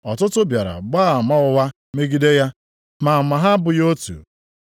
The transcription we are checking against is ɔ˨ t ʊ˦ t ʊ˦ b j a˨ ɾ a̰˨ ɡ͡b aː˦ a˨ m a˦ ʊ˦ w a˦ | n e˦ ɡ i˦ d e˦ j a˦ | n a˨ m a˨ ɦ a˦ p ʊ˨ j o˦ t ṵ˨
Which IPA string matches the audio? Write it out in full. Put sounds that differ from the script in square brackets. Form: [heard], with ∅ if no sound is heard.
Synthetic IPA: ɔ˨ t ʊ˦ t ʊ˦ b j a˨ ɾ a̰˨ ɡ͡b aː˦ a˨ m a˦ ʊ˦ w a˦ | [m] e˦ ɡ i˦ d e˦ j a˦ | [m] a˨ m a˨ ɦ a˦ [b] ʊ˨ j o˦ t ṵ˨